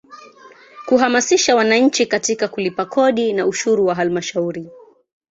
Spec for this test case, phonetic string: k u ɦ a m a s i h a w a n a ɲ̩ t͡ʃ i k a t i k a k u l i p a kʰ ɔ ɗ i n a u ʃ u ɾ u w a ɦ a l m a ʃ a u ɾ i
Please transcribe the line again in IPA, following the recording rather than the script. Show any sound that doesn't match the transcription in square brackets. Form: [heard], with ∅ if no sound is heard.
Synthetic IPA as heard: k u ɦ a m a s i [ʃ] a w a n a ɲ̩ t͡ʃ i k a t i k a k u l i p a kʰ ɔ ɗ i n a u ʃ u ɾ u w a ɦ a l m a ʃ a u ɾ i